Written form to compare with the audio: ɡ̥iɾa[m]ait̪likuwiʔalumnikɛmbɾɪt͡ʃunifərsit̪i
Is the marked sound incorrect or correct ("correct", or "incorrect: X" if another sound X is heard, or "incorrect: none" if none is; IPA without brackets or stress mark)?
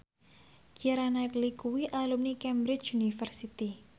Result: incorrect: n